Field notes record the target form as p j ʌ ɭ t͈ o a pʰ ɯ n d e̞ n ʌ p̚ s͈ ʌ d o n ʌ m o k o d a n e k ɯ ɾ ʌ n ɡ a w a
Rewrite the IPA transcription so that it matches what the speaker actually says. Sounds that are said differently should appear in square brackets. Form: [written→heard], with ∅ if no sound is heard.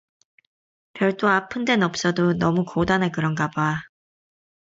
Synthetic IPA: p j ʌ ɭ t͈ o a pʰ ɯ n d e̞ n ʌ p̚ s͈ ʌ d o n ʌ m [o→u] k o d a n e k ɯ ɾ ʌ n ɡ a [w→b] a